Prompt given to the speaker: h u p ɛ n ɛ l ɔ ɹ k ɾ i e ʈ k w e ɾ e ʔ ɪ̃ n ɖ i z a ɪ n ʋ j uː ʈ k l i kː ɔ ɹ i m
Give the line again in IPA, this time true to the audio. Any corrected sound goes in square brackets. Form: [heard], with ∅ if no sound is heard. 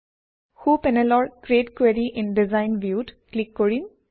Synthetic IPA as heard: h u p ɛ n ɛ l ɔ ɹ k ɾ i e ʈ k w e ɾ [i] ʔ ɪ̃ n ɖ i z a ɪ n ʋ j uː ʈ k l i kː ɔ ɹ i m